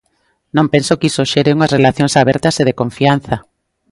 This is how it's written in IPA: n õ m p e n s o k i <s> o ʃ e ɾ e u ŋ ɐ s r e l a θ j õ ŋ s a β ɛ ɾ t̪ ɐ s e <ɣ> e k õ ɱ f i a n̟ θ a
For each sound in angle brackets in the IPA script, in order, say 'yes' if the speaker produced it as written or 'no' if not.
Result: yes, no

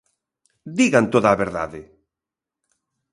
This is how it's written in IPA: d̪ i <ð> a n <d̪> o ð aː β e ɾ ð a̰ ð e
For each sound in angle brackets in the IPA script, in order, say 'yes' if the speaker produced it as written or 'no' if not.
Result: no, no

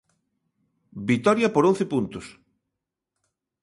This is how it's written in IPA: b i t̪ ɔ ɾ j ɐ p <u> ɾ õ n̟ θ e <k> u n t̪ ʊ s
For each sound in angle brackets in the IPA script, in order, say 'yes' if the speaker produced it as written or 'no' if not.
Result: no, no

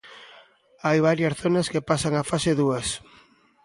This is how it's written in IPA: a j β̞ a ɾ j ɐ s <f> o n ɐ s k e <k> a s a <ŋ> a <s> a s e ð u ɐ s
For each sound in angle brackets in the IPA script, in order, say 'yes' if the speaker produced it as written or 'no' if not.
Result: no, no, yes, no

